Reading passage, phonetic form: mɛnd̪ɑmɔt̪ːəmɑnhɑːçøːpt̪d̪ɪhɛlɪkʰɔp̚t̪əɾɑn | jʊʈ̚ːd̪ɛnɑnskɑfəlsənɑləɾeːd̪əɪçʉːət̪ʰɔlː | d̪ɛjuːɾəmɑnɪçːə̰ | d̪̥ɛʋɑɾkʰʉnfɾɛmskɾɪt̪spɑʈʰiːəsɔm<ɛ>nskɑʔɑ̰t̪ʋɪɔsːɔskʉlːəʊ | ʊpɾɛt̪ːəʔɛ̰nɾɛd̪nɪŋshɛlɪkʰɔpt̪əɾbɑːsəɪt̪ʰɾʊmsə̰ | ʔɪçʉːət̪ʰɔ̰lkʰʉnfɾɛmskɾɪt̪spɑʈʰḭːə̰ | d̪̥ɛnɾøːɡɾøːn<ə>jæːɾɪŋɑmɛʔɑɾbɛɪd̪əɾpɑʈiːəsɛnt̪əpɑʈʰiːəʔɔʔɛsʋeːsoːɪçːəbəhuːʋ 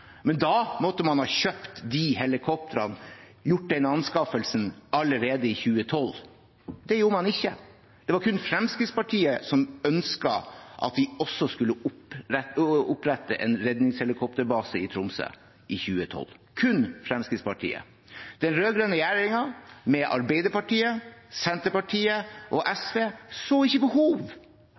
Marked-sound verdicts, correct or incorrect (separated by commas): incorrect, correct